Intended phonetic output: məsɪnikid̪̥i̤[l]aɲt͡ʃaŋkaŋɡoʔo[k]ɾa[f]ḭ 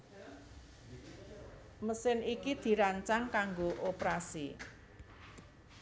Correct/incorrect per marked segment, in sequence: incorrect: ɾ, incorrect: p, incorrect: s

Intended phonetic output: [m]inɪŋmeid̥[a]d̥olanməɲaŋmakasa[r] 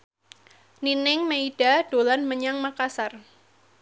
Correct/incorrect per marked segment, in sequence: incorrect: n, correct, correct

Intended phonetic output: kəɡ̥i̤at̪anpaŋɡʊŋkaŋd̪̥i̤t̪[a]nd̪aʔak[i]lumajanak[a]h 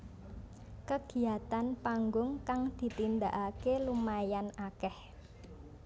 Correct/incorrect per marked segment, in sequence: incorrect: i, incorrect: e, incorrect: ɛ

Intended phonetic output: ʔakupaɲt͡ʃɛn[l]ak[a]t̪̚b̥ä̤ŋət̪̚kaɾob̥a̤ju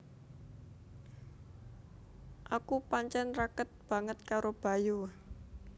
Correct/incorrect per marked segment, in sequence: incorrect: r, incorrect: ə

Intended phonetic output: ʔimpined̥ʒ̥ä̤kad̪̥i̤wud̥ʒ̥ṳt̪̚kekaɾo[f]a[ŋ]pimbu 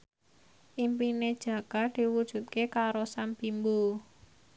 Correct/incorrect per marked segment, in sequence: incorrect: s, incorrect: m

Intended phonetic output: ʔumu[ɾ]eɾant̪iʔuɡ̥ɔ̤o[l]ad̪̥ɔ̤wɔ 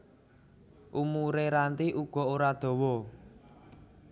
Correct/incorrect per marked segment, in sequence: correct, incorrect: ɾ

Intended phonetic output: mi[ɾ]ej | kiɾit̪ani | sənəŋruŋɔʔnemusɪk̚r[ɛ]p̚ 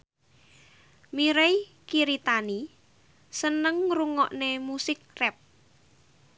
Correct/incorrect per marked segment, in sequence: correct, correct

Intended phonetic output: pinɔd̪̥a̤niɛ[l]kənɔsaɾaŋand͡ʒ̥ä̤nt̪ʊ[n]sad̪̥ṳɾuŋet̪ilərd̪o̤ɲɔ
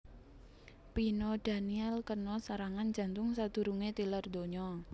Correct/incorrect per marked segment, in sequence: correct, incorrect: ŋ

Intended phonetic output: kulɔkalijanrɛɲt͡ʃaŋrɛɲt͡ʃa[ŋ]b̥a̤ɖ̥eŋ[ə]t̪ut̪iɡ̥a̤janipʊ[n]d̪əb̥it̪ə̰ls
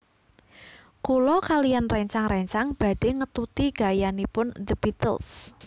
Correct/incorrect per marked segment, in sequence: correct, correct, correct

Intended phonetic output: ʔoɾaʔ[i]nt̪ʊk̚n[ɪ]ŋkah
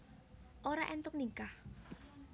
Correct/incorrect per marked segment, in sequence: incorrect: ɛ, incorrect: i

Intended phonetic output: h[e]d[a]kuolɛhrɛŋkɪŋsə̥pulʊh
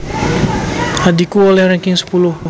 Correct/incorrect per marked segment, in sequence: incorrect: a, incorrect: i

